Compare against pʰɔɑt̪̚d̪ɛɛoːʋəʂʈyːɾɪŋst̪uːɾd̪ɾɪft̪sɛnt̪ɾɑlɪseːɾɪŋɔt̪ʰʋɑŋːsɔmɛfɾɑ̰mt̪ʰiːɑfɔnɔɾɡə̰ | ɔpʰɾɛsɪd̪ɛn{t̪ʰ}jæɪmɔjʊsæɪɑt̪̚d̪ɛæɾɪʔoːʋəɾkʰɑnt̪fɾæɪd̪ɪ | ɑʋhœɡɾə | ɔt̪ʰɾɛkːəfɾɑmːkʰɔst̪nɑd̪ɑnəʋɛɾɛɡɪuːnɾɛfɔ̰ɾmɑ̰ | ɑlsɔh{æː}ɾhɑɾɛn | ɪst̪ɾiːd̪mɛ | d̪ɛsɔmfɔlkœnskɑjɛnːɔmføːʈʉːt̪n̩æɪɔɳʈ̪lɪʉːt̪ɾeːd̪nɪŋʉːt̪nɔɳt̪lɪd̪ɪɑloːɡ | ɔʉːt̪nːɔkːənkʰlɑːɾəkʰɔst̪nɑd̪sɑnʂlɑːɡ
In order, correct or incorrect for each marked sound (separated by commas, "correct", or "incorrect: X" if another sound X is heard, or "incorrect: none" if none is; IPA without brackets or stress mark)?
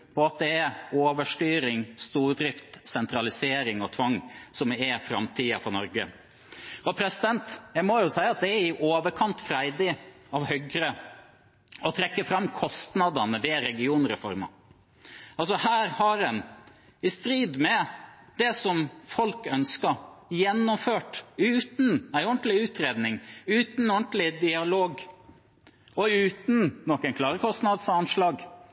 incorrect: t̪, correct